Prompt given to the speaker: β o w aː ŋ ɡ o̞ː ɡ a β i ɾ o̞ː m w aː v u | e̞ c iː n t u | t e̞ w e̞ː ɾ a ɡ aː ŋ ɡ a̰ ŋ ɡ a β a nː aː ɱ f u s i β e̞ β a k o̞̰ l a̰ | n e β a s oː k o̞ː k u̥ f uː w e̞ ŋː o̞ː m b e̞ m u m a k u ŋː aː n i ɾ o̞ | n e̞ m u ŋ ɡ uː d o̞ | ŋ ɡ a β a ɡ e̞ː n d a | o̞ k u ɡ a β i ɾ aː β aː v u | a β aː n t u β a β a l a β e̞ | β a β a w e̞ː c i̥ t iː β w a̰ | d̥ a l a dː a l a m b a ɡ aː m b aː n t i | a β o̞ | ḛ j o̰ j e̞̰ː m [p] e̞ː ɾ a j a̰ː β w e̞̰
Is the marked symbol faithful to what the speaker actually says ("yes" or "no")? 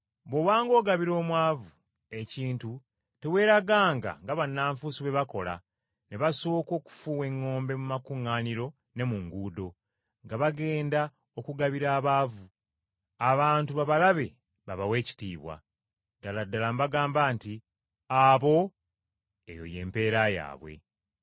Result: yes